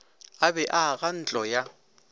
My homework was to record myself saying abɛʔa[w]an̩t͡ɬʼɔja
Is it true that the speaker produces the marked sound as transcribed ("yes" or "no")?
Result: no